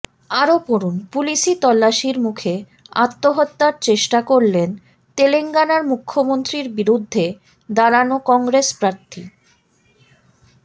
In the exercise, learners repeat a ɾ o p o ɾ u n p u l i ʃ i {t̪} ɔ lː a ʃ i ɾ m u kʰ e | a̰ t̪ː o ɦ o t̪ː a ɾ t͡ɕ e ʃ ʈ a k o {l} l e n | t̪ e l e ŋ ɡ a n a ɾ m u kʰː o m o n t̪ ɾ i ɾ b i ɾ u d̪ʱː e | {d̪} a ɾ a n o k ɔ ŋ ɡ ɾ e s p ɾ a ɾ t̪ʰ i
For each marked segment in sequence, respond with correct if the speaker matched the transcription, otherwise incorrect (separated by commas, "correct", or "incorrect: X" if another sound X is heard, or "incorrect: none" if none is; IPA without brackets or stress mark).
correct, incorrect: ɾ, correct